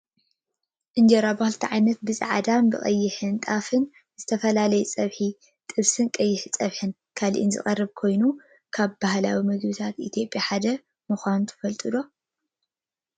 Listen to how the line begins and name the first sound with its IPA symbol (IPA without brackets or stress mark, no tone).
ʔ